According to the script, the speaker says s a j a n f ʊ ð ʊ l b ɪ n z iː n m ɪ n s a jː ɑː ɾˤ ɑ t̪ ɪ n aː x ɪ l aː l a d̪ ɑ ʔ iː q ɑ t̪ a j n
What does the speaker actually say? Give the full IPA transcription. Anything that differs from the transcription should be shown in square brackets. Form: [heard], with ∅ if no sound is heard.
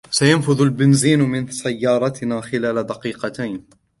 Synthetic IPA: s a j a n f ʊ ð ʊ l b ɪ n z iː n m ɪ n s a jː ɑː ɾˤ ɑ t̪ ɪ n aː x ɪ l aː l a d̪ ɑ [q] iː q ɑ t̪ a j n